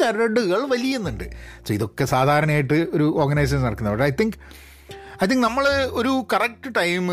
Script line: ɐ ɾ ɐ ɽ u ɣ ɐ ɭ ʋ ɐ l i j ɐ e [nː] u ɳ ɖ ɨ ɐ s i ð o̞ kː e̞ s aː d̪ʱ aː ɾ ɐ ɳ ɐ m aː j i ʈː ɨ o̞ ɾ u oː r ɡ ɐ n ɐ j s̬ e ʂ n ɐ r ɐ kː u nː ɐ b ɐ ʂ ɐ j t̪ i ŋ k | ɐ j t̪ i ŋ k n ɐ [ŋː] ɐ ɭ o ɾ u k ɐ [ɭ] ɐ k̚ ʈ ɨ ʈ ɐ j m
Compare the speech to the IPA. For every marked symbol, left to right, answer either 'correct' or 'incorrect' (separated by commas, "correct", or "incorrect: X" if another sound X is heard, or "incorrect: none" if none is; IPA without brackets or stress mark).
correct, incorrect: mː, incorrect: r